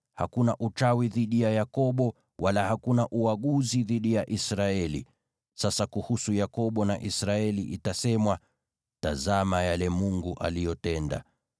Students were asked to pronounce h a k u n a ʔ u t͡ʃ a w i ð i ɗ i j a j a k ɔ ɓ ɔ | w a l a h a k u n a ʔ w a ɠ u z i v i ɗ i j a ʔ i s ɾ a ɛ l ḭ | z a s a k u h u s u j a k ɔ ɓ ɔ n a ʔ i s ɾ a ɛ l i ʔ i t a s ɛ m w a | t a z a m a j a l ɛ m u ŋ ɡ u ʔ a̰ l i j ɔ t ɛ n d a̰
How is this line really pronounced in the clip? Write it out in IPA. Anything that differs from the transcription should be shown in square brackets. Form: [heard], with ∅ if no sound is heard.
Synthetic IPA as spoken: h a k u n a ʔ u t͡ʃ a w i ð i ɗ i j a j a k ɔ ɓ ɔ | w a l a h a k u n a ʔ [u] a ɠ u z i [ð] i ɗ i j a ʔ i s ɾ a ɛ l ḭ | [s] a s a k u h u s u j a k ɔ ɓ ɔ n a ʔ i s ɾ a ɛ l i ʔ i t a s ɛ m w a | t a z a m a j a l ɛ m u ŋ ɡ u ʔ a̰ l i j ɔ t ɛ n d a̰